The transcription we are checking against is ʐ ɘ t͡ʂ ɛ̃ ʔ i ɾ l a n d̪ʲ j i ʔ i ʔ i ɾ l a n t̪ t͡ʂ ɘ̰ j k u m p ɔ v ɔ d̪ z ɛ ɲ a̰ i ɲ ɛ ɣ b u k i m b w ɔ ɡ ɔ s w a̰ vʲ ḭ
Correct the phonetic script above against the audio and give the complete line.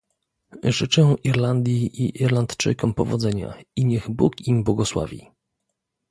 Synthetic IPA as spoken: ʐ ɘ t͡ʂ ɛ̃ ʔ i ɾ l a n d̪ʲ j i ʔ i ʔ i ɾ l a n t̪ t͡ʂ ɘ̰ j k ɔ m p ɔ v ɔ d̪ z ɛ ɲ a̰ i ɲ ɛ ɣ b u k i m b w ɔ ɡ ɔ s w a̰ vʲ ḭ